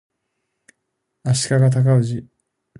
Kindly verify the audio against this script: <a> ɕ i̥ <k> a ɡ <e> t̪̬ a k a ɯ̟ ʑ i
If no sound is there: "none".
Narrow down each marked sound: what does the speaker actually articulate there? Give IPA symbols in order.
a, k, a

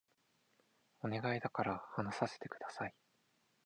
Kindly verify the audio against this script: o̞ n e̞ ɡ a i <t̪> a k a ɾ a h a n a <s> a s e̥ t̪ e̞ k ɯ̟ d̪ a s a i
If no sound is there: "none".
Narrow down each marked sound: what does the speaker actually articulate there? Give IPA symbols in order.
d̪, s

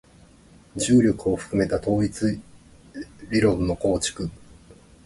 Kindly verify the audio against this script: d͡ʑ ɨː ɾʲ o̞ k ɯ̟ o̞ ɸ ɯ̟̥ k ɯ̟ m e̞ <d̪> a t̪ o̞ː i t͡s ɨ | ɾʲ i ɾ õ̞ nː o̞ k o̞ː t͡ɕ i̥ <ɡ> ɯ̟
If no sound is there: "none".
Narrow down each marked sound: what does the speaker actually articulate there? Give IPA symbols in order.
t̪, k

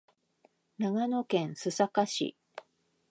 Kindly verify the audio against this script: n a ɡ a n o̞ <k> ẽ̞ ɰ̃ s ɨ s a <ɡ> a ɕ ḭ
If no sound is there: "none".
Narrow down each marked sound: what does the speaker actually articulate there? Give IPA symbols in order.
k, k

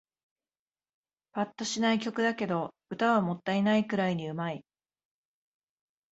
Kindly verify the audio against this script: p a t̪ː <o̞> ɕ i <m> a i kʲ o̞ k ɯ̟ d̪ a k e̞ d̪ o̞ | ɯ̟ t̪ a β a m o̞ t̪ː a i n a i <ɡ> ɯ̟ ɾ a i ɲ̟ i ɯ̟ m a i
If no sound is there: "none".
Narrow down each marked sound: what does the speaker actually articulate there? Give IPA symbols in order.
o̞, n, k

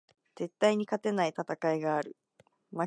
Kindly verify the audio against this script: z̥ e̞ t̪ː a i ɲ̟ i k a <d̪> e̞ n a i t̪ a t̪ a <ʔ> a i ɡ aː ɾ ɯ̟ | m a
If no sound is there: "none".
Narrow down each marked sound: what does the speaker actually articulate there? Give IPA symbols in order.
t̪, k

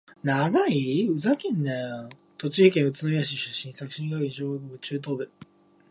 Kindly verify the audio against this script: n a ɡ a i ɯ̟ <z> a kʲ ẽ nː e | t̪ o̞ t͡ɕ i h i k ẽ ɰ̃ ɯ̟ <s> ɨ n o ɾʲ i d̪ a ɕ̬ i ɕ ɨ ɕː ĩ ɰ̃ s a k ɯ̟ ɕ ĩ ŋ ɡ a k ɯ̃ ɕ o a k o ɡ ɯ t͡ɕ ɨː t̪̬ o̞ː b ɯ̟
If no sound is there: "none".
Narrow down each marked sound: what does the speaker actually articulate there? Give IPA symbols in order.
z, t͡s

